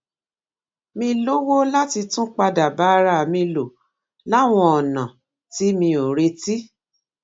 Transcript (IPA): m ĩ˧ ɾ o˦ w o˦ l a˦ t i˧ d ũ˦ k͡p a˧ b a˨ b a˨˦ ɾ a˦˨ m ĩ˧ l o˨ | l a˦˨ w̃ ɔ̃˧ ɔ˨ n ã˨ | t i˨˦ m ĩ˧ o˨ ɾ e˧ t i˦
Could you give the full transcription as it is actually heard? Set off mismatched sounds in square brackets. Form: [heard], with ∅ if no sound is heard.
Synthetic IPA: m ĩ˧ [l] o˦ w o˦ l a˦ t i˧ [t] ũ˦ k͡p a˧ [d] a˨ b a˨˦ ɾ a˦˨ m ĩ˧ l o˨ | l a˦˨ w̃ ɔ̃˧ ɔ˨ n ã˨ | t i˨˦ m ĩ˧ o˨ ɾ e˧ t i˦